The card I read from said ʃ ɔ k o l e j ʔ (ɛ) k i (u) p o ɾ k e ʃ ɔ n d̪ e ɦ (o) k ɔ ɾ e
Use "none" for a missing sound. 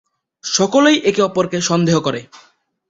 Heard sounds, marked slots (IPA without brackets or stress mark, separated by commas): e, ɔ, o